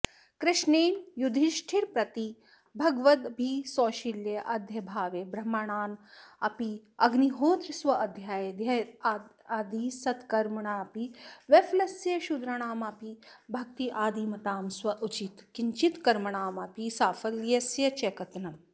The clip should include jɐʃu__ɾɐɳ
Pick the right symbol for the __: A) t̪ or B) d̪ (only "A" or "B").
B